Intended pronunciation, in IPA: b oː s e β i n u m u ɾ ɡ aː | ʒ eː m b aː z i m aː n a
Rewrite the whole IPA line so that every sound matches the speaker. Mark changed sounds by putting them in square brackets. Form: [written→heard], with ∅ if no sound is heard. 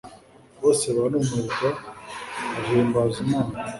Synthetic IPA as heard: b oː s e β [i→a] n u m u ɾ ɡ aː | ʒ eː m b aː z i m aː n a

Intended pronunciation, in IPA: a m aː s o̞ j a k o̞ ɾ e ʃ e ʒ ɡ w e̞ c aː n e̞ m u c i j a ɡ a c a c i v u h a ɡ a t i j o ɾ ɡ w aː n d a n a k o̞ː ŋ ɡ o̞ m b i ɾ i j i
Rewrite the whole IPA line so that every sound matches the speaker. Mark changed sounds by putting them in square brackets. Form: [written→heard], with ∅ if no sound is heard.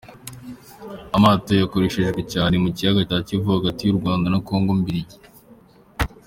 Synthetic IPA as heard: a m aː [s→t] o̞ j a k o̞ ɾ e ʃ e ʒ ɡ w e̞ c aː n e̞ m u c i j a ɡ a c a c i v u h a ɡ a t i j [o→u] ɾ ɡ w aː n d a n a k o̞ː ŋ ɡ o̞ m b i ɾ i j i

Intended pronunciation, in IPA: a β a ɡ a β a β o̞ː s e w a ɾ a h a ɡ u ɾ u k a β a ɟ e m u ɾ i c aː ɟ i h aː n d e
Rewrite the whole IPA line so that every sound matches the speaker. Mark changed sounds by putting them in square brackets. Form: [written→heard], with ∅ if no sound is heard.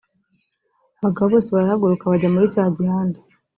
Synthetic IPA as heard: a β a ɡ a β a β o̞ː s e [w→β] a ɾ a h a ɡ u ɾ u k a β a ɟ [e→a] m u ɾ i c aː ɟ i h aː n d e

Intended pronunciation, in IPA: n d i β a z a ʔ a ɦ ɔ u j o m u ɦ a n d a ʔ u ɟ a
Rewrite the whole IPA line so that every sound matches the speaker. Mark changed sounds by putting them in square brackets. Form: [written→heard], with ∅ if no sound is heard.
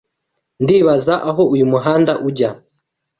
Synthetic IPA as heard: n d i β a z a ʔ a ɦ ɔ u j [o→u] m u ɦ a n d a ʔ u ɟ a

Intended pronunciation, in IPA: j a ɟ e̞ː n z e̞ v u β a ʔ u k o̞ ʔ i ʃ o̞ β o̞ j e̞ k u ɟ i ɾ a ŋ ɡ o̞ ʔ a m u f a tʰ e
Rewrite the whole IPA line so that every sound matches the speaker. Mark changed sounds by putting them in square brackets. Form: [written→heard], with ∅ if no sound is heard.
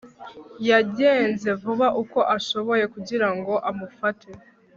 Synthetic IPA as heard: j a ɟ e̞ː n z e̞ v u β a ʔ u k o̞ ʔ [i→a] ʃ o̞ β o̞ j e̞ k u ɟ i ɾ a ŋ ɡ o̞ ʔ a m u f a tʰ e

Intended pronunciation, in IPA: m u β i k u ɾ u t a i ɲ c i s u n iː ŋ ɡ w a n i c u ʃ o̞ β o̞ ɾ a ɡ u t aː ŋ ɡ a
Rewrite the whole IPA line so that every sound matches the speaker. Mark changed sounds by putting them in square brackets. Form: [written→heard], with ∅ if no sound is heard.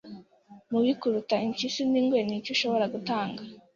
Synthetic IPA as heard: m u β i k u ɾ u t a i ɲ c i s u n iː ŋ ɡ w [a→e] n i c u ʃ o̞ β o̞ ɾ a ɡ u t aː ŋ ɡ a

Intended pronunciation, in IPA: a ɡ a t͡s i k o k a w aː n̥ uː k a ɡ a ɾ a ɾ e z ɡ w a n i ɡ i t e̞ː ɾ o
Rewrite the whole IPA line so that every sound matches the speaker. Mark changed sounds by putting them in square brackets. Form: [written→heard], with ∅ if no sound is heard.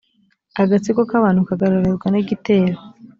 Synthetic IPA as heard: a ɡ a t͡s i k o k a [w→β] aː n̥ [uː→u] k a ɡ a ɾ a ɾ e z ɡ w a n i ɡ i t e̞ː ɾ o

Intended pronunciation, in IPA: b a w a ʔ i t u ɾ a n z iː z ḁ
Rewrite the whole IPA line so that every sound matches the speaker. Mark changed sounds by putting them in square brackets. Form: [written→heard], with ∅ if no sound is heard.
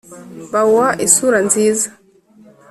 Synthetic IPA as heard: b a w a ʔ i [t→s] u ɾ a n z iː z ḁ

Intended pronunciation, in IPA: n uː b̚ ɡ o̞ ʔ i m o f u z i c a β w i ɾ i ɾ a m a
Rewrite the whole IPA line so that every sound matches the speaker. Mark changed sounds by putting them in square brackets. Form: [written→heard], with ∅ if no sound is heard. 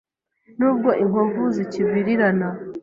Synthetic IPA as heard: n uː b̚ ɡ o̞ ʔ i [m→ŋ] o [f→v] u z i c [a→i] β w i ɾ i ɾ a [m→n] a

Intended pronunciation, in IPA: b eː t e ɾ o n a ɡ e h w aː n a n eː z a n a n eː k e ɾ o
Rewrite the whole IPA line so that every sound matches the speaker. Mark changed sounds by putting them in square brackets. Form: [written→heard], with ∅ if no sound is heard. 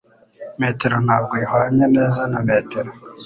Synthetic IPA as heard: [b→m] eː t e ɾ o n a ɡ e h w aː [n→ɲ] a n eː z a n a [n→m] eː [k→t] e ɾ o

